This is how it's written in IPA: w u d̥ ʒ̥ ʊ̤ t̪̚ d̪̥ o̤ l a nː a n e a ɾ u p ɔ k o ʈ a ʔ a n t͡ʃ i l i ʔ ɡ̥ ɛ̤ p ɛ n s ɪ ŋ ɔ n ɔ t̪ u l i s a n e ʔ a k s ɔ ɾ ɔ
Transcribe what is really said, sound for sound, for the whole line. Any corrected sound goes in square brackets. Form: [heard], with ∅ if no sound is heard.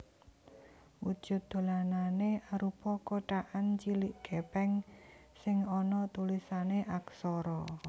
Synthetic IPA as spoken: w u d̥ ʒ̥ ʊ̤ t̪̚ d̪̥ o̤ l a [n] a n e a ɾ u p ɔ k o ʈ a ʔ a n t͡ʃ i l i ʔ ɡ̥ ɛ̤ p ɛ [ŋ] s ɪ ŋ ɔ n ɔ t̪ u l i s a n e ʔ a k s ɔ ɾ ɔ